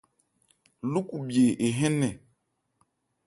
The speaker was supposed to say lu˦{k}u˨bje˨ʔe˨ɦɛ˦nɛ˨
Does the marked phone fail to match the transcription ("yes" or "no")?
no